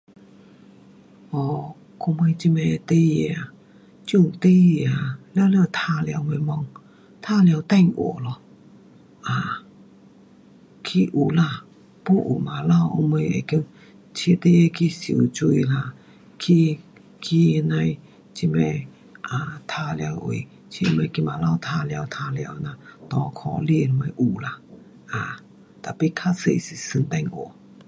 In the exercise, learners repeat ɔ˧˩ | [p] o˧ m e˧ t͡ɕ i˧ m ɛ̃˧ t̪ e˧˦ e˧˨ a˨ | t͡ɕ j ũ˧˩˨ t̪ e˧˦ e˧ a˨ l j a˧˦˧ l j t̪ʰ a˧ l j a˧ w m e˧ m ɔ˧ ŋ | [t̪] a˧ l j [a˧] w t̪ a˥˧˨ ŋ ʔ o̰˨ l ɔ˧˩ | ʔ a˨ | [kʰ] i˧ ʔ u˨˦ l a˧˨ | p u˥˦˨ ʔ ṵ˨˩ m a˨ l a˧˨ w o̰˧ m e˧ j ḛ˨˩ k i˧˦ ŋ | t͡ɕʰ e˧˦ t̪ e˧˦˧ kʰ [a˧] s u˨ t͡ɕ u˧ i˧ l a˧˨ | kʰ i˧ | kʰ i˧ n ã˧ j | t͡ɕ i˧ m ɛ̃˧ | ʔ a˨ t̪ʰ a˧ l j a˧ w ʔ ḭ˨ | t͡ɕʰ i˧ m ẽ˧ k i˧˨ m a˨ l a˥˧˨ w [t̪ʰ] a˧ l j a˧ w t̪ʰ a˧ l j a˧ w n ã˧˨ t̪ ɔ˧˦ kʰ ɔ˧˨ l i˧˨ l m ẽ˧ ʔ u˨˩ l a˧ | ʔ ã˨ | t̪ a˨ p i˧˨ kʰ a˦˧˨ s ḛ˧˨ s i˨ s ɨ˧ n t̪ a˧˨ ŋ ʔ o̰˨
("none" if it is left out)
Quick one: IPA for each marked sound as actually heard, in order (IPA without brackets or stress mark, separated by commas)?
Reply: k, t̪ʰ, a˧, kʰ, i˧, t̪ʰ